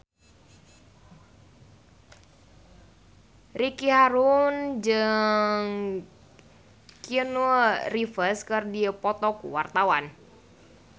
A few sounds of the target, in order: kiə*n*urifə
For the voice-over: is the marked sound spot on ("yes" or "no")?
yes